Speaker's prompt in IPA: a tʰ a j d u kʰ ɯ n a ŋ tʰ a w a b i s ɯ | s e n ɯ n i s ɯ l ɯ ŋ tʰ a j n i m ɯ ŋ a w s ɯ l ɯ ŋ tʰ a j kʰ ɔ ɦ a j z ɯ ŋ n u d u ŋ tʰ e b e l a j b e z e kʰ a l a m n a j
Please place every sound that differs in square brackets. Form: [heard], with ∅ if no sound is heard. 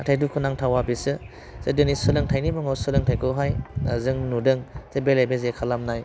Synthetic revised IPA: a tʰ a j d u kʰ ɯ n a ŋ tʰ a w a b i s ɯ | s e [d] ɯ n i s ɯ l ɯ ŋ tʰ a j n i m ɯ ŋ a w s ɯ l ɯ ŋ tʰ a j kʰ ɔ ɦ a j z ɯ ŋ n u d [ɯ] ŋ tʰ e b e l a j b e z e kʰ a l a m n a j